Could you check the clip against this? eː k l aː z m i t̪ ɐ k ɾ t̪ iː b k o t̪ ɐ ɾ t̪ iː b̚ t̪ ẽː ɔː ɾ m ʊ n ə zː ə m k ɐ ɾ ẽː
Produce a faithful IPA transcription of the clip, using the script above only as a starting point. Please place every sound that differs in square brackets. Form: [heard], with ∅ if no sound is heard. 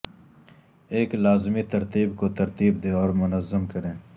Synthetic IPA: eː k l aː z m i t̪ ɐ [∅] ɾ t̪ iː b k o t̪ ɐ ɾ t̪ iː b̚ [d̪] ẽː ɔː ɾ m ʊ n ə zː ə m k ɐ ɾ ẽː